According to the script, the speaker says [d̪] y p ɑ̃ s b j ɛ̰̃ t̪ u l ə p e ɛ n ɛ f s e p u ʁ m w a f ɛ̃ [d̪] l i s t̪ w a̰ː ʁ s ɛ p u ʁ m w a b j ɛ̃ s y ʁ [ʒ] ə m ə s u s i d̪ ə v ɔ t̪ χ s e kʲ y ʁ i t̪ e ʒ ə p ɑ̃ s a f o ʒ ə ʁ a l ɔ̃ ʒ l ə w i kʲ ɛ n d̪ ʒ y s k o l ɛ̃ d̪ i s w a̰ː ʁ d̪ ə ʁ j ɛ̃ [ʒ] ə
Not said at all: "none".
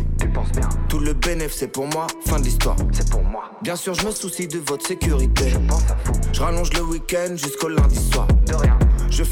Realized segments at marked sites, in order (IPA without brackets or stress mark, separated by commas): t̪, d̪, ʒ, ʒ